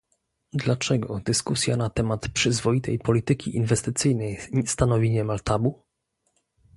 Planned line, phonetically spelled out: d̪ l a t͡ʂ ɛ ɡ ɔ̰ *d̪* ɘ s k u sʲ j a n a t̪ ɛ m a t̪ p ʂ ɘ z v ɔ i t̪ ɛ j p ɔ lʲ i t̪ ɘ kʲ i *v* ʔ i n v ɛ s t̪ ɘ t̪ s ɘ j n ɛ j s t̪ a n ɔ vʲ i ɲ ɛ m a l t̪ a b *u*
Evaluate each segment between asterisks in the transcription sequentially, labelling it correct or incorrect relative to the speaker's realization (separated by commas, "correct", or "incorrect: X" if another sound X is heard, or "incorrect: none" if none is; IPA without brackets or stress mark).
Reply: correct, incorrect: none, correct